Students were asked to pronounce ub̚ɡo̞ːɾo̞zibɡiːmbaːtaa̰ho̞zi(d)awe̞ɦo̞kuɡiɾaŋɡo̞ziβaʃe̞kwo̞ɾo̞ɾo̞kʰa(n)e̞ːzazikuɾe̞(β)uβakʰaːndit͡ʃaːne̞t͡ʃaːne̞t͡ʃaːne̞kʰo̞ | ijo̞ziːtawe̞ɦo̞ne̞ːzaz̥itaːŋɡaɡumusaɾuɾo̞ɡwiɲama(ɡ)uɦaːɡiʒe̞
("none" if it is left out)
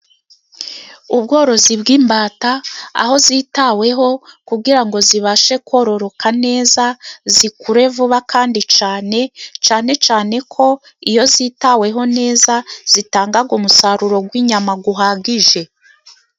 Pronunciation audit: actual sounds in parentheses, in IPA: t, n, v, ɡ

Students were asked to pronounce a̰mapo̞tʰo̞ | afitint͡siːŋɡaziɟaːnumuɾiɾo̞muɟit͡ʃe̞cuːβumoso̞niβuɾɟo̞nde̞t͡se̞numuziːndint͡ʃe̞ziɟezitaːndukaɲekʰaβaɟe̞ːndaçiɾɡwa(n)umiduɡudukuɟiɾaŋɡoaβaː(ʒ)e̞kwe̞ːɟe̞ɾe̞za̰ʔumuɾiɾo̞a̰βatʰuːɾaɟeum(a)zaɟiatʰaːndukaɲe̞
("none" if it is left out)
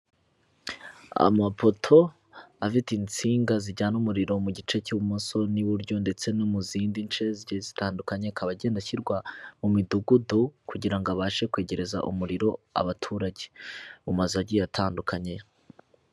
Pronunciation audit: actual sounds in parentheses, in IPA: m, ʃ, a

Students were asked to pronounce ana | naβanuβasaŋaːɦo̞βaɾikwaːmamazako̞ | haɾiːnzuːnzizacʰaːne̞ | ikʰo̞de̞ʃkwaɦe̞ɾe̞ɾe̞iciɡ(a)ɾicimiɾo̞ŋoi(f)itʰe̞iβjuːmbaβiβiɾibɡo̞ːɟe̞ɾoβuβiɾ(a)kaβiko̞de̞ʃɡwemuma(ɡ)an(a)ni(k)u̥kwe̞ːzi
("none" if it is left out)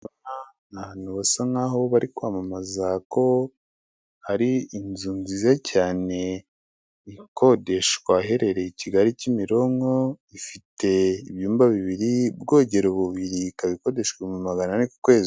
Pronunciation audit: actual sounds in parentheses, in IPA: a, f, i, ɡ, a, k

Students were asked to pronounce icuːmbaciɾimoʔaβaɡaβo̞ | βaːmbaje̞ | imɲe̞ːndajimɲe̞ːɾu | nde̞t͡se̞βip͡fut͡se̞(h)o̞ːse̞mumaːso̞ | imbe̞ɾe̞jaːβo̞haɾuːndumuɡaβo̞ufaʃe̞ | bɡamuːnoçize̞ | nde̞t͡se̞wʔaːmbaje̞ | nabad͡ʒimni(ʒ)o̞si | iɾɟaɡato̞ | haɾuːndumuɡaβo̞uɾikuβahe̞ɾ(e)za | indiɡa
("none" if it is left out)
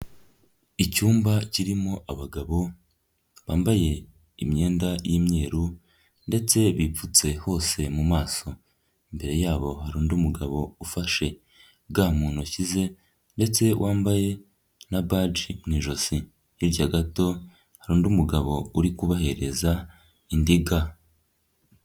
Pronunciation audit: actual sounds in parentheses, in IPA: h, ʒ, e

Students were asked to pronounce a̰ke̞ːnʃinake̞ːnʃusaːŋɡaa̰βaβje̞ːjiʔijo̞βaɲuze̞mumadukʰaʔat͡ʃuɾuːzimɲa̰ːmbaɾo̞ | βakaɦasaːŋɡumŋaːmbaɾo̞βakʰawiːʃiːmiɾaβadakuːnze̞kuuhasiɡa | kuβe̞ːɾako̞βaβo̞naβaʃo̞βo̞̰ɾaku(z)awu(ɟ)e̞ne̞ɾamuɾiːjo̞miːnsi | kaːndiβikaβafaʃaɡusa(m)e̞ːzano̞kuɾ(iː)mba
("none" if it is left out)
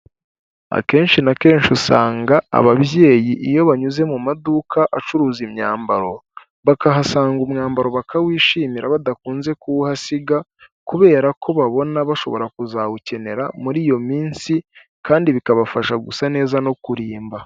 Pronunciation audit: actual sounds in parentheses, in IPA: z, c, n, iː

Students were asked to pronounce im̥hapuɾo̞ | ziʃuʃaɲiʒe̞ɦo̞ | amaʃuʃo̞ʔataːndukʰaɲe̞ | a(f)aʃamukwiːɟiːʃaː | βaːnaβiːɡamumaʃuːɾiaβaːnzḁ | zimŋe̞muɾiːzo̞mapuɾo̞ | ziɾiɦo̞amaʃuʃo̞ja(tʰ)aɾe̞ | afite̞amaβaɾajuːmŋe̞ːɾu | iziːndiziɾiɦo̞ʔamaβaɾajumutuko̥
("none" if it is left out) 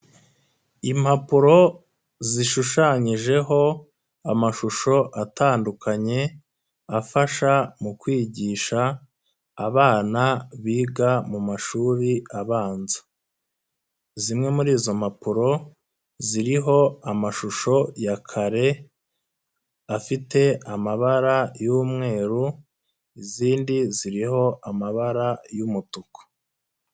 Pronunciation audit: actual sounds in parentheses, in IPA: f, kʰ

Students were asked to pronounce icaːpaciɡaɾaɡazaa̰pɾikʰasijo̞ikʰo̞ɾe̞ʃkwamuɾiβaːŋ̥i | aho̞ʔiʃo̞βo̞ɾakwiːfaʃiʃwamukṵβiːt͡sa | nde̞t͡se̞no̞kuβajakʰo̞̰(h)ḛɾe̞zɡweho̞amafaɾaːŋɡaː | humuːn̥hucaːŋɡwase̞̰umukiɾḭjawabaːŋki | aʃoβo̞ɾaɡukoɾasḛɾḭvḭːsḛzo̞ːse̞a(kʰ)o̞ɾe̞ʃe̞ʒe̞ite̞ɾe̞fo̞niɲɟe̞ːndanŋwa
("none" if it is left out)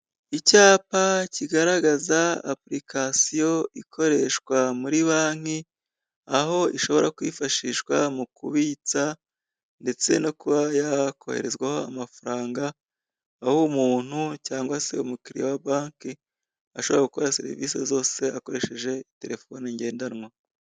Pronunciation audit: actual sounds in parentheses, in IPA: h, k

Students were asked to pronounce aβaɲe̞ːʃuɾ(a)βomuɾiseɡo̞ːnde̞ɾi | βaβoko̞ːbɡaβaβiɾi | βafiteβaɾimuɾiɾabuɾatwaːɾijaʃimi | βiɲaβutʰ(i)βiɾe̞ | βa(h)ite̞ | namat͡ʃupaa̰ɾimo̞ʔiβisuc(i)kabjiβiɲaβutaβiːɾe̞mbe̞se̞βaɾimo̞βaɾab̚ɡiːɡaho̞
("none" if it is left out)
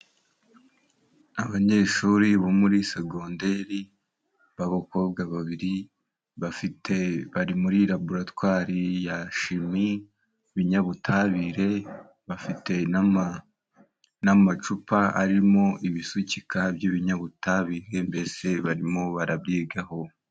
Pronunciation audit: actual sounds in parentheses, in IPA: i, a, f, i

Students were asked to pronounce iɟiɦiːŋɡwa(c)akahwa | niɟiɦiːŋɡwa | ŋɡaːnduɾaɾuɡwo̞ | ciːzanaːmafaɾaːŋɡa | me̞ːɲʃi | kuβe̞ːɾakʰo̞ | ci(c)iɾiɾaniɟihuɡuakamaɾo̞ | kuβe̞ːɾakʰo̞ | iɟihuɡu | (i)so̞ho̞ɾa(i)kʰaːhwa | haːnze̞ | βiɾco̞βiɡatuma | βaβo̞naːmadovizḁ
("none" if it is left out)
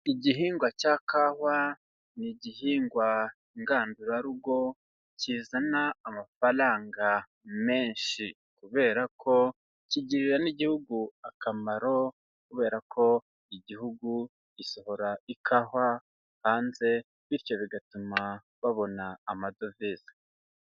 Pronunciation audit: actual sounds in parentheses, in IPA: c, ɟ, i, i

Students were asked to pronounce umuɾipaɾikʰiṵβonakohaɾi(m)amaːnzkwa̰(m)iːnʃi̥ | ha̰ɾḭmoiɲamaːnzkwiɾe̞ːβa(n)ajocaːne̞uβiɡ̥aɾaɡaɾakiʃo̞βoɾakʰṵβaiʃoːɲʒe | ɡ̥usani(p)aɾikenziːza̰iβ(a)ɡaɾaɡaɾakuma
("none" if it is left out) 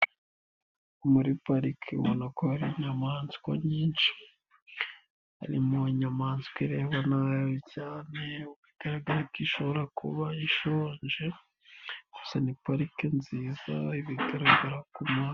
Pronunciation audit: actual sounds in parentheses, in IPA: ɲ, ɲ, n, p, i

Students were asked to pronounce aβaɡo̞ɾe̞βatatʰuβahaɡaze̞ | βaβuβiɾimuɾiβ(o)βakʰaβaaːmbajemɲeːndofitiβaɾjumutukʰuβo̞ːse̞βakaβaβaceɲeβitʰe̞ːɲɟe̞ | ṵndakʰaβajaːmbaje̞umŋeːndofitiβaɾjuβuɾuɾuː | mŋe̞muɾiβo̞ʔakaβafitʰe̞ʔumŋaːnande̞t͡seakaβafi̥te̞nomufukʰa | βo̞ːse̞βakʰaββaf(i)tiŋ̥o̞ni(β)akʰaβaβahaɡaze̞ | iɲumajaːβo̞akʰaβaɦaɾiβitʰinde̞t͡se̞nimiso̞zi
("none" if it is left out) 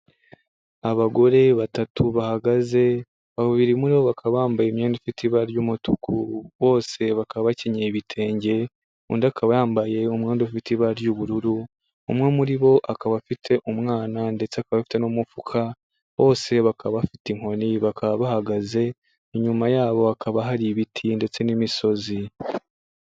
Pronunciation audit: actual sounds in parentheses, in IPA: o, i, β

